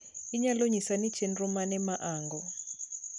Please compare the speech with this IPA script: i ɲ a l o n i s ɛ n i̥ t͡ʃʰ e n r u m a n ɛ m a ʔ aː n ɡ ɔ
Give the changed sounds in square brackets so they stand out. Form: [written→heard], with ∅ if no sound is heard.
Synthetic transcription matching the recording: i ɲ a l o [n→ɲ] i s [ɛ→a] n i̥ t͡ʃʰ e n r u m a n ɛ m a ʔ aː [n→ŋ] ɡ ɔ